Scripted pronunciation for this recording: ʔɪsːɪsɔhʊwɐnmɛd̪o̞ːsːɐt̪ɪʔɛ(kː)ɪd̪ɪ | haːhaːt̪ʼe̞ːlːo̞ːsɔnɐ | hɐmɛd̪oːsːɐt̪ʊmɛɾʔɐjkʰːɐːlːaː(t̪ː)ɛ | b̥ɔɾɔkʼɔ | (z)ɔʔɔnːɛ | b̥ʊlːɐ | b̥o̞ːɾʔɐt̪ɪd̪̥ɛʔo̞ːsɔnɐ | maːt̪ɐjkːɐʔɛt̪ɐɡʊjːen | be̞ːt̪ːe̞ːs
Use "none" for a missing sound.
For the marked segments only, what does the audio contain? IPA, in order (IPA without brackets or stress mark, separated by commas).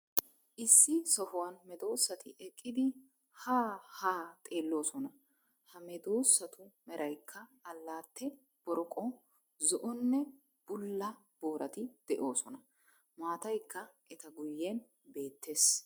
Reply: kʼː, t̪ː, z